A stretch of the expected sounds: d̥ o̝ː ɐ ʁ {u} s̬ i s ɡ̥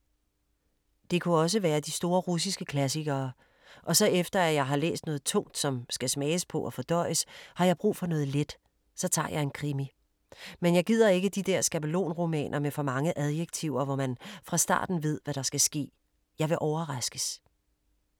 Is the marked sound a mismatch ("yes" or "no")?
no